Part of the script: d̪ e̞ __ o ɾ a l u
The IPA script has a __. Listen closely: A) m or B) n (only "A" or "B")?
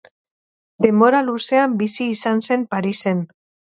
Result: A